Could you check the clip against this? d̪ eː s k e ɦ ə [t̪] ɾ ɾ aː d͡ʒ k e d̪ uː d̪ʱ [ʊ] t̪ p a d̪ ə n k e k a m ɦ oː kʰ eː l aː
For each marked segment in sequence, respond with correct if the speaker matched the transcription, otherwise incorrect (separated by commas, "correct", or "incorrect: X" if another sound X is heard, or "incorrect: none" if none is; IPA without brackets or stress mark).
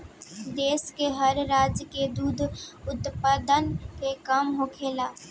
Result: incorrect: none, correct